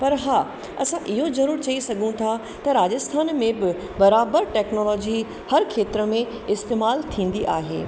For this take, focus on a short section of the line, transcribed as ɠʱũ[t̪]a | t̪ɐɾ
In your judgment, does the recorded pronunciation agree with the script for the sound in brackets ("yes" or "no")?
no